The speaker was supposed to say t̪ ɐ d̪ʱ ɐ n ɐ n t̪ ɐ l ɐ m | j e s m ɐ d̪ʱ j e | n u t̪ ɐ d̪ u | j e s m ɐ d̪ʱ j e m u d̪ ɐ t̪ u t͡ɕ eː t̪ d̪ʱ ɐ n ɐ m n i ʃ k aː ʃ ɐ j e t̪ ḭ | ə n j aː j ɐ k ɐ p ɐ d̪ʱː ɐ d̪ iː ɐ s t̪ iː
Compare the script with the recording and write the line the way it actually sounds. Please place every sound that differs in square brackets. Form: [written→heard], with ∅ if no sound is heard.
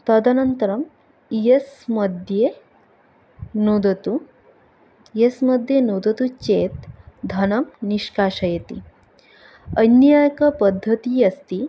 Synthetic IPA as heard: t̪ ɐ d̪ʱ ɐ n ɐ n t̪ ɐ [l→ɾ] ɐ m | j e s m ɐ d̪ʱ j e | n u [t̪→d̪] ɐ [d̪→t̪] u | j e s m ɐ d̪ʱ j e [m→n] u d̪ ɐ t̪ u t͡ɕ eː t̪ d̪ʱ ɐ n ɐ m n i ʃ k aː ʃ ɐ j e t̪ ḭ | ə n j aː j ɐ k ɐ p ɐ d̪ʱː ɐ [d̪→t̪] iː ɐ s t̪ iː